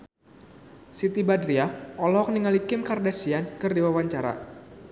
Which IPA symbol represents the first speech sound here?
s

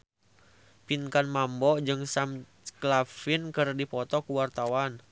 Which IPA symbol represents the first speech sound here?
p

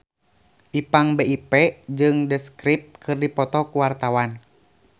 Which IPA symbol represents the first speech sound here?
ʔ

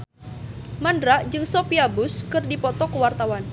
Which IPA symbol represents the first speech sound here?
m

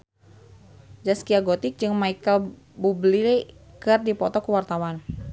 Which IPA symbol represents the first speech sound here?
d͡ʒ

